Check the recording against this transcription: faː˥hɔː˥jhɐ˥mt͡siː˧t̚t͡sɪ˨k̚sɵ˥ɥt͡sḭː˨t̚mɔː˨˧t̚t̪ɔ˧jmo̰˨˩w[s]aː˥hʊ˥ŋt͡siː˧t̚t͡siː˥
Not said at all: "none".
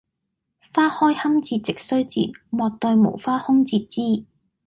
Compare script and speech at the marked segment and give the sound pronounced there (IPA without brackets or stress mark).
f